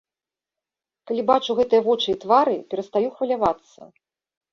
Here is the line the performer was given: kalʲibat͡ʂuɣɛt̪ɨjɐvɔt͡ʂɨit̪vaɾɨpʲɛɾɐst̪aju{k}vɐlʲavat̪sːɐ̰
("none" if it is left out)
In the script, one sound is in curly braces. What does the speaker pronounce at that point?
x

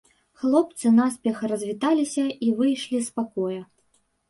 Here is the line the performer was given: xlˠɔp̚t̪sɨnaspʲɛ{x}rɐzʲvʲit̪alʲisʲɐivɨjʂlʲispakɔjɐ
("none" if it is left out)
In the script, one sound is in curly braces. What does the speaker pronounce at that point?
x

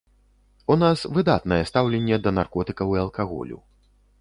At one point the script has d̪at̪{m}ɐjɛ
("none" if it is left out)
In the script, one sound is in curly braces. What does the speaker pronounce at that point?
n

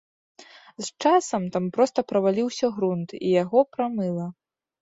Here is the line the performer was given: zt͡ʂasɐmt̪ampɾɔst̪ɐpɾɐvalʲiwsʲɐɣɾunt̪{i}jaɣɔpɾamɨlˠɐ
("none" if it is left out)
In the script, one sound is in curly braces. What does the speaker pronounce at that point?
i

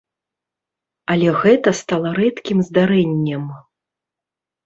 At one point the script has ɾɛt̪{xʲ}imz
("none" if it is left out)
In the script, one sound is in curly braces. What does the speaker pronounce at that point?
kʲ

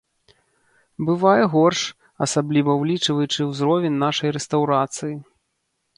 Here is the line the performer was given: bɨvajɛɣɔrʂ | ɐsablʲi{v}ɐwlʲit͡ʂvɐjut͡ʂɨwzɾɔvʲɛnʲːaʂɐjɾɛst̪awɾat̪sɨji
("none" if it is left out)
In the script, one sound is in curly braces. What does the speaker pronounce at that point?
v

